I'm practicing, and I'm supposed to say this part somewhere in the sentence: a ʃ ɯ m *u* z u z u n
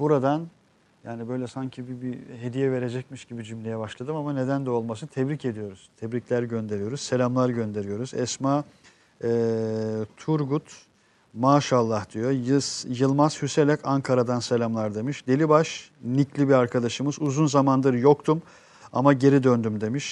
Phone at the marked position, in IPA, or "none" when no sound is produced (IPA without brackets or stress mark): ɯ